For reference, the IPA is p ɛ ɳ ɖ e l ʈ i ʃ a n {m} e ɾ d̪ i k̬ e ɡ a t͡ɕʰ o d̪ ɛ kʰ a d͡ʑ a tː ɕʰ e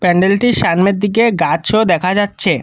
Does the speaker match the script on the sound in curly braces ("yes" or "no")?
yes